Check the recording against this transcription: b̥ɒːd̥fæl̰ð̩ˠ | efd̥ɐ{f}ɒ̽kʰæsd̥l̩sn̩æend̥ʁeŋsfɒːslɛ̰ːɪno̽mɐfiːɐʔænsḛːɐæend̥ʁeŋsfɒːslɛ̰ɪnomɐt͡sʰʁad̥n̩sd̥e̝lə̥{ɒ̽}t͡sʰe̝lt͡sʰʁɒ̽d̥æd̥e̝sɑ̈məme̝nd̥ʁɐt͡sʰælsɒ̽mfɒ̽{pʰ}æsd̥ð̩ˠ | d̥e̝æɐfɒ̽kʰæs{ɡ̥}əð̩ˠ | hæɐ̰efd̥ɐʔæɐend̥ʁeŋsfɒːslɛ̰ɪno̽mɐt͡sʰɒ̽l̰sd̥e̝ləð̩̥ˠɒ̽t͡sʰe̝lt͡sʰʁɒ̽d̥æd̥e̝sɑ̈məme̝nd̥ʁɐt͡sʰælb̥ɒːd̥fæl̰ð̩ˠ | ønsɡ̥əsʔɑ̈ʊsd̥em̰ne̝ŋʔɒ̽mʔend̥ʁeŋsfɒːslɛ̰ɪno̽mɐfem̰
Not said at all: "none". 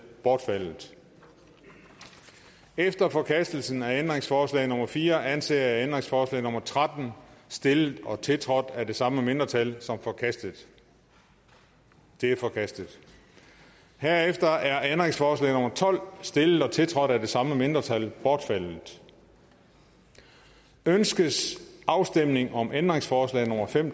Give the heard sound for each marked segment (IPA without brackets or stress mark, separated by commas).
f, ɒ̽, kʰ, d̥